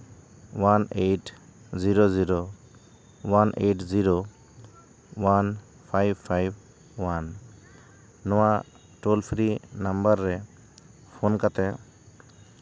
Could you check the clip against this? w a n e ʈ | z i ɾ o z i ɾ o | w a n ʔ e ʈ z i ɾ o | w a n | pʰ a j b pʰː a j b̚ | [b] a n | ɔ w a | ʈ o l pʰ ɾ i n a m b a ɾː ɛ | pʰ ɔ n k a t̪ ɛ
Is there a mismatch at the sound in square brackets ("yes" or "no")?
yes